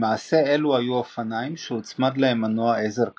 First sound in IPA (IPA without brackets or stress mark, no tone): m